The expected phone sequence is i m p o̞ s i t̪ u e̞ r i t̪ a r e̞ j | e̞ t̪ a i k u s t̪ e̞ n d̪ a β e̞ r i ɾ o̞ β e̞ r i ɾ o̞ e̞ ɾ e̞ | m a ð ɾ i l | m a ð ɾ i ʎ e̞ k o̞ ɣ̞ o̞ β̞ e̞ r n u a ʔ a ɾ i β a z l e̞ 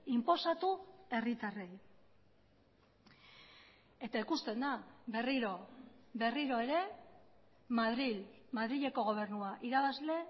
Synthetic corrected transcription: i m p o̞ s a t̪ u e̞ r i t̪ a r e̞ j | e̞ t̪ a i k u s t̪ e̞ n d̪ a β e̞ r i ɾ o̞ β e̞ r i ɾ o̞ e̞ ɾ e̞ | m a ð ɾ i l | m a ð ɾ i ʎ e̞ k o̞ ɣ̞ o̞ β̞ e̞ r n u a ʔ i ɾ a β a z l e̞